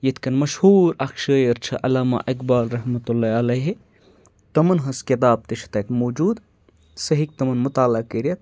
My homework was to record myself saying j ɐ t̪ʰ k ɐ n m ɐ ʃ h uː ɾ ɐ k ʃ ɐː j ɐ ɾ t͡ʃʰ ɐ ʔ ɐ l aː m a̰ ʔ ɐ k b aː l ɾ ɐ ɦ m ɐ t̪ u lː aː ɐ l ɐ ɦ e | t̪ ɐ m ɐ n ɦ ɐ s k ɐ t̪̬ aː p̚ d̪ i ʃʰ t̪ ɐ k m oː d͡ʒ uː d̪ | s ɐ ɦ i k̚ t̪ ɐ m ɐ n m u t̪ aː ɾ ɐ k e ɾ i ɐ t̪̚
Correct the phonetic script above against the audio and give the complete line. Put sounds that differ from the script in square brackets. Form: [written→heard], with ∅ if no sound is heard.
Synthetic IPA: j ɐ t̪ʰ k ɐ n m ɐ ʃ h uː ɾ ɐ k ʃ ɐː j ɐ ɾ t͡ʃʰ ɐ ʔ ɐ l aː m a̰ ʔ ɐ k b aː l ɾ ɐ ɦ m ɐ t̪ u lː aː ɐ l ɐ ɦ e | t̪ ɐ m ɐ n ɦ ɐ s k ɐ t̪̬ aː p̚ [d̪→t̪] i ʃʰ t̪ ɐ k m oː d͡ʒ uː d̪ | s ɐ ɦ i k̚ t̪ ɐ m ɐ n m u t̪ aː [ɾ→l] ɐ k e ɾ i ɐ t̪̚